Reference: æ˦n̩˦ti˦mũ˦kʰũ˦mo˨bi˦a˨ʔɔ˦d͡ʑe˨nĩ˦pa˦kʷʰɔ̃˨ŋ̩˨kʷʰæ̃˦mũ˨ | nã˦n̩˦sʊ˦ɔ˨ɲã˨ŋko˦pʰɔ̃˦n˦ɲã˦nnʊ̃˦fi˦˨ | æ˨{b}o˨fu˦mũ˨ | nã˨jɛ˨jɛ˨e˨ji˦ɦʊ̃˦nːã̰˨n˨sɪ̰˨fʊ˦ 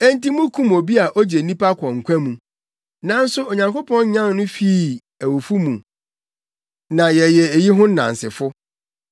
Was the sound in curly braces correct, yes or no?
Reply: no